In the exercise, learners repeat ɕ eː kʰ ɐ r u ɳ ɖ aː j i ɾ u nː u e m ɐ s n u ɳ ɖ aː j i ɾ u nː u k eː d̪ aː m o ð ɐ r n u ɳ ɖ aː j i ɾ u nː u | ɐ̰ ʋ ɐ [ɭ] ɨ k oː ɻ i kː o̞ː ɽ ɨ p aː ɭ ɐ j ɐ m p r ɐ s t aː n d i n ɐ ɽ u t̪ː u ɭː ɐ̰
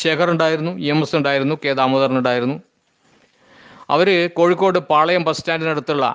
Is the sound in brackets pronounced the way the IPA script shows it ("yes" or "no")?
no